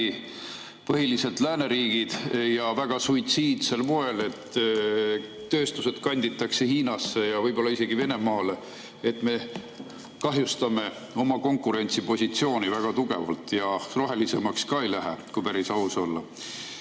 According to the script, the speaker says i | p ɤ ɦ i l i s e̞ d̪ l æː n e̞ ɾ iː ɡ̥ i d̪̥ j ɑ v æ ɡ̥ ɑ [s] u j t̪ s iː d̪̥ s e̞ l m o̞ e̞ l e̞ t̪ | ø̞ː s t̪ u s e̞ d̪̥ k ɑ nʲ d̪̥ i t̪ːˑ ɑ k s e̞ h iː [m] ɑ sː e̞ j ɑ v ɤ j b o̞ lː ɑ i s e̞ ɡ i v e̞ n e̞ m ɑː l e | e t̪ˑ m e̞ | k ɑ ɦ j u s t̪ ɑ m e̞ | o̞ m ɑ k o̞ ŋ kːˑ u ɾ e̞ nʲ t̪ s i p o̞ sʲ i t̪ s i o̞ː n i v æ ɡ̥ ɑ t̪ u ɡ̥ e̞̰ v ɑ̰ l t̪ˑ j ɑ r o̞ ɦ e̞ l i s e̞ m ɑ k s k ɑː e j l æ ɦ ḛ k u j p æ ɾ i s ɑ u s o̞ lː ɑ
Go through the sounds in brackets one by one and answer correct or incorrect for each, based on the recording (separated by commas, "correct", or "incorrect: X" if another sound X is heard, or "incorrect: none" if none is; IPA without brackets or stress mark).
correct, incorrect: n